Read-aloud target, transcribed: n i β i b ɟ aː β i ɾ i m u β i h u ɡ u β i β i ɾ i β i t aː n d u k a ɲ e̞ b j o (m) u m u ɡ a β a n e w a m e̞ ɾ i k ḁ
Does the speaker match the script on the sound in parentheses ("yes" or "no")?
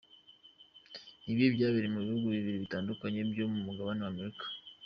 yes